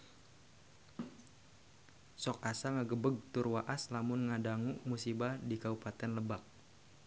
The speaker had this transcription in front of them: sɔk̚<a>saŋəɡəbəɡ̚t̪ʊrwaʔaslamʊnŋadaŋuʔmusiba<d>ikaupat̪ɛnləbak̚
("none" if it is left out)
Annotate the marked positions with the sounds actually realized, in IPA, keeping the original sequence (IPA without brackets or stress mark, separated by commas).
a, d